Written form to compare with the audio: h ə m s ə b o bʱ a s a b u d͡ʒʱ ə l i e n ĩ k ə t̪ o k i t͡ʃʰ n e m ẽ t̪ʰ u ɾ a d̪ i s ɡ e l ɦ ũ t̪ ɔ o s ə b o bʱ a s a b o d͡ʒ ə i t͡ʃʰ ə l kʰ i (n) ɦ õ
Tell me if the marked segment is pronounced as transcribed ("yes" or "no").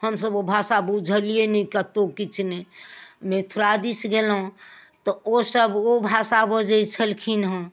yes